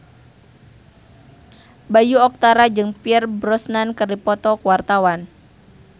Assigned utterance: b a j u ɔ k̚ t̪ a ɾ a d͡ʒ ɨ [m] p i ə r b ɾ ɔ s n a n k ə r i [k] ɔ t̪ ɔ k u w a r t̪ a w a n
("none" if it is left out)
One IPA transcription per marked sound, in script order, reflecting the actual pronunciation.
ŋ, p

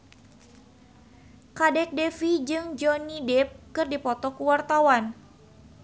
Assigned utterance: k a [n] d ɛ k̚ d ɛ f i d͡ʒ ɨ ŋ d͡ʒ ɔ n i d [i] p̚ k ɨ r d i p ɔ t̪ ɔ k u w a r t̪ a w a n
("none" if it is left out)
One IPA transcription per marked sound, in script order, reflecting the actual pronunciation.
none, ɛ

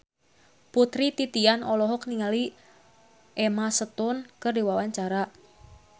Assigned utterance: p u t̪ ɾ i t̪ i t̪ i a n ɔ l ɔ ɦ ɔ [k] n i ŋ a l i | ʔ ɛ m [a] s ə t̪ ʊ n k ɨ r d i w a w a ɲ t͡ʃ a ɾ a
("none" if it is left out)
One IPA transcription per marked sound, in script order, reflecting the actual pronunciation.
k, a

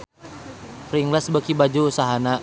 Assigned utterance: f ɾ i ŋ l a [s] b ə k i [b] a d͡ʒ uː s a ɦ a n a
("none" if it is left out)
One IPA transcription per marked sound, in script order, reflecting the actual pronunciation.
s, b

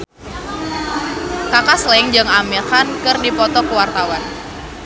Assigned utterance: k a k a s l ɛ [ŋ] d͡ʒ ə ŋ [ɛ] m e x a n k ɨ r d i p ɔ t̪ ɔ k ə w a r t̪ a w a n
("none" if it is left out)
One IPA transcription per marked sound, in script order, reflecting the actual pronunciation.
ŋ, a

